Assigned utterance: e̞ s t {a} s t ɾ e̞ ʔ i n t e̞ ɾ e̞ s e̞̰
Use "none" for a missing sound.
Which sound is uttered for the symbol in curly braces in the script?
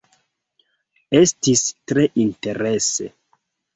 i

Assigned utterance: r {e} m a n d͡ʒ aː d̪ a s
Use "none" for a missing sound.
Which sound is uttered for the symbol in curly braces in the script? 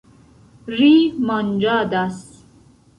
i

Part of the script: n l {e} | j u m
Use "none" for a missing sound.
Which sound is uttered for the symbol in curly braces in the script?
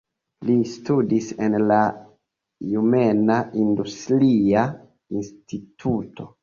a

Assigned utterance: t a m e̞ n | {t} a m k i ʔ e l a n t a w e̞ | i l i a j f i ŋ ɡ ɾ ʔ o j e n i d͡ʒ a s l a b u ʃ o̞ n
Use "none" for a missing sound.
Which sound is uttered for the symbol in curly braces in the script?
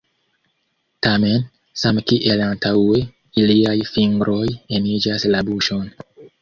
s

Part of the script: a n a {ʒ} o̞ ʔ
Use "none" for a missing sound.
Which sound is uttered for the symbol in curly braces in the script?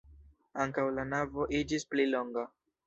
v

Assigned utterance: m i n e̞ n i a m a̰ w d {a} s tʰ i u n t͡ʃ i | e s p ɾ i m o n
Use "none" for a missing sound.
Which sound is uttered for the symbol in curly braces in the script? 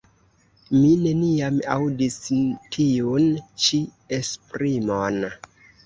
i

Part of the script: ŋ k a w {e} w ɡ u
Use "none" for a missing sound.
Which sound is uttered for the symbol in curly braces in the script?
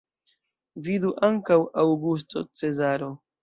a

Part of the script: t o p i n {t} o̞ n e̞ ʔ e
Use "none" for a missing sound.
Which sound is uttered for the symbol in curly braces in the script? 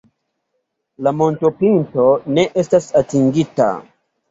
t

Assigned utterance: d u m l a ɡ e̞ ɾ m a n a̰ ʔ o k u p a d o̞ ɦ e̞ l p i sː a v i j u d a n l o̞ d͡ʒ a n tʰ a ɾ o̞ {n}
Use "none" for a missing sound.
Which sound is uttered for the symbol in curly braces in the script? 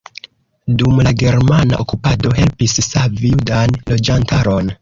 n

